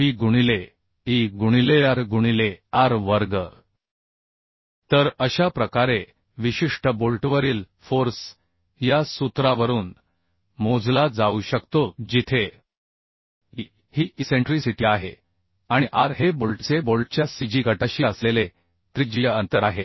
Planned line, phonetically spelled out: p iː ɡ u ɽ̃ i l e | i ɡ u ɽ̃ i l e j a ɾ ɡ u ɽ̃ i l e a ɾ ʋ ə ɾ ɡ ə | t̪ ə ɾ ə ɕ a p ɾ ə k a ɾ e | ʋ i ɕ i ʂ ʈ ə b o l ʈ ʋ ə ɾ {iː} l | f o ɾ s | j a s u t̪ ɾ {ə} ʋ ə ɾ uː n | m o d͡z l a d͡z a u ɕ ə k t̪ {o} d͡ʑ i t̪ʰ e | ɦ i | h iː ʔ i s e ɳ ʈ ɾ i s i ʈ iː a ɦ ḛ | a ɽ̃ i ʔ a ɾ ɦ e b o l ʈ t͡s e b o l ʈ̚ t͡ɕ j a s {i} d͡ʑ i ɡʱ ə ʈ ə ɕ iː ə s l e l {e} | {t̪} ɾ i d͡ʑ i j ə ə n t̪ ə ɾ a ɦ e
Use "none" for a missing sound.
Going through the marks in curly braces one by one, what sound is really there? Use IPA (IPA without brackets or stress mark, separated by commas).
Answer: iː, a, o, i, e, t̪